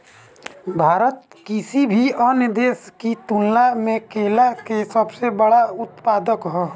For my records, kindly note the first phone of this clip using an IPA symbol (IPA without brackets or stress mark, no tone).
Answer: bʱ